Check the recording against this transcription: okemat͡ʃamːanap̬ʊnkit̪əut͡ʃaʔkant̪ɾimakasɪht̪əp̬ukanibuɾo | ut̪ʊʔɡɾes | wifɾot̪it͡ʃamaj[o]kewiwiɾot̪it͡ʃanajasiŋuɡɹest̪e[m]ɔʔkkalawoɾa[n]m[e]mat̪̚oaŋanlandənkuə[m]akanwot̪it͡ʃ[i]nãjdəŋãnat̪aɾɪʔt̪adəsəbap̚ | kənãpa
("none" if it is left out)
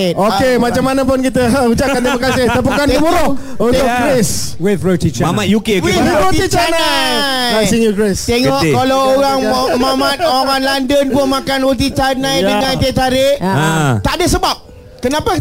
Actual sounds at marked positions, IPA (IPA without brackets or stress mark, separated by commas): u, ŋ, ŋ, a, m, a